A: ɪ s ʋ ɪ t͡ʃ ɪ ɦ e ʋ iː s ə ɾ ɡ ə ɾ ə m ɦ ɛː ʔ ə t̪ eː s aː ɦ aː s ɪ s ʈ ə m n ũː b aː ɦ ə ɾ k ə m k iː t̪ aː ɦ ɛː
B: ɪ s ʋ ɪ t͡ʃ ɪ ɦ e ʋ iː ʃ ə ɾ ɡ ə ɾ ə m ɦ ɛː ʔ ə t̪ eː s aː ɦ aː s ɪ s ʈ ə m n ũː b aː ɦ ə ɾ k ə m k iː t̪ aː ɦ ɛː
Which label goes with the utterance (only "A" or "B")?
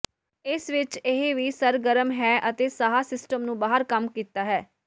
A